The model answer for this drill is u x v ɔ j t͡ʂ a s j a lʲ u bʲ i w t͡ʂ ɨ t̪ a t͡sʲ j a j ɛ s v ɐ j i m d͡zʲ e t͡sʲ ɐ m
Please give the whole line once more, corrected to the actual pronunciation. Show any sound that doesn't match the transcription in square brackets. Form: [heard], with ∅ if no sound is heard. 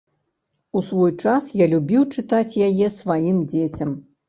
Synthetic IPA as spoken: u [s] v ɔ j t͡ʂ a s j a lʲ u bʲ i w t͡ʂ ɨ t̪ a t͡sʲ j a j ɛ s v [a] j i m d͡zʲ e t͡sʲ ɐ m